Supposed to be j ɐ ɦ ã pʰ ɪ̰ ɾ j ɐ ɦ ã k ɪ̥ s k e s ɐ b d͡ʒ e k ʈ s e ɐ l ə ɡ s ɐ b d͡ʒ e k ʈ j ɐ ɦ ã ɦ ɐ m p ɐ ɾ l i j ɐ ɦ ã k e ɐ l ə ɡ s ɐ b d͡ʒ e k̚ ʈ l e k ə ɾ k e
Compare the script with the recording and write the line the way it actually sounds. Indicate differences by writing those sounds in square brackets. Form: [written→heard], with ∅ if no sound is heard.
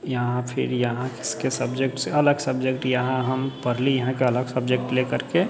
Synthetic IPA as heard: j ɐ ɦ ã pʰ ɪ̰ ɾ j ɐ ɦ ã k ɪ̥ s k e s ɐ b d͡ʒ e k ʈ s e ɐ l ə ɡ s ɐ b d͡ʒ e k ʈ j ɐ ɦ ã ɦ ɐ m p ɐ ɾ l i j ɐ ɦ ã k e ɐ l ə ɡ s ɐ b d͡ʒ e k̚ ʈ l e k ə ɾ k e